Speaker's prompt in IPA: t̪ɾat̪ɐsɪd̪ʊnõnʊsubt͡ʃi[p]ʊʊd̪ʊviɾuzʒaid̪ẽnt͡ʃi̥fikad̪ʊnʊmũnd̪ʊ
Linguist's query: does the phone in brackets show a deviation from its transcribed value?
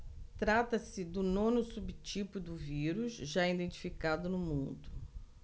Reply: no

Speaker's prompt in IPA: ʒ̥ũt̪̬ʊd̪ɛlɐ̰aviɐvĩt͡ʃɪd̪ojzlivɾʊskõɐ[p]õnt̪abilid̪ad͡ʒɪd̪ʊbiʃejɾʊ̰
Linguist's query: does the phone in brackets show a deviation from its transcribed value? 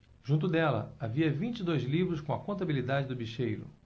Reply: yes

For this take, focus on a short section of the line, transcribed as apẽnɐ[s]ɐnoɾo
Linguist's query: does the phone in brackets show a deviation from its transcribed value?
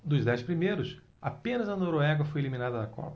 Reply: yes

